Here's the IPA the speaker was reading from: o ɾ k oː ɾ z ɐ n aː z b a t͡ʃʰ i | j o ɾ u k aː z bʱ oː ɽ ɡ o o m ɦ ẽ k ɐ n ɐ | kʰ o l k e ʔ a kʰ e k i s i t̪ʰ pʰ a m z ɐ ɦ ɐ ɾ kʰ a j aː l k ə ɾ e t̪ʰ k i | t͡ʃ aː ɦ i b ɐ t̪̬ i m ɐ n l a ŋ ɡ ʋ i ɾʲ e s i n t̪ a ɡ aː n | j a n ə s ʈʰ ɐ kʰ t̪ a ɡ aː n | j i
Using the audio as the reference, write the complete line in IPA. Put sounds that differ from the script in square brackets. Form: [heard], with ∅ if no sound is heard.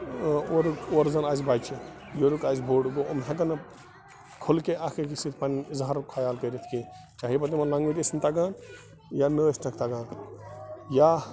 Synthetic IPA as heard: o ɾ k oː ɾ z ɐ n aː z b a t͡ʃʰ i | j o ɾ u k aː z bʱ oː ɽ ɡ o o m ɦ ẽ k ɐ n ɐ | kʰ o l k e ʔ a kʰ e k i s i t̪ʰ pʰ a [n] z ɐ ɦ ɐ ɾ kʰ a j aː l k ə ɾ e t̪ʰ k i | t͡ʃ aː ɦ i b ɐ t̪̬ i m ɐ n l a ŋ ɡ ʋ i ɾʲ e s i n t̪ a ɡ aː n | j a n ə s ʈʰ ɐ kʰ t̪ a ɡ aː n | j [a]